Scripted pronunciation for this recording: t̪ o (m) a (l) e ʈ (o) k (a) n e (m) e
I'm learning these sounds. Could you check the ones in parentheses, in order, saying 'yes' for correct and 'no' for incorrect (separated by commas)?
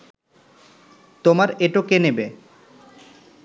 yes, no, yes, no, no